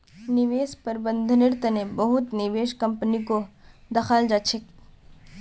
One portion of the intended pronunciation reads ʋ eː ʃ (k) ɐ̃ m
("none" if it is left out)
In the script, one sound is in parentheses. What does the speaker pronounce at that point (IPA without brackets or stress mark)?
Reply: k